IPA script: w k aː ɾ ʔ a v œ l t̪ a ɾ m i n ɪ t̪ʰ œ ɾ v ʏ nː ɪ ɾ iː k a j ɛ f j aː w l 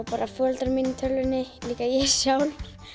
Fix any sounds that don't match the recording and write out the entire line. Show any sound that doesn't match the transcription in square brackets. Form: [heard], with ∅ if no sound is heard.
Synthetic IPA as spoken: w [p] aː ɾ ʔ a [f] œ l t̪ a ɾ m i n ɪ t̪ʰ œ [l] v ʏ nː ɪ [l] iː k a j ɛ [s] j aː w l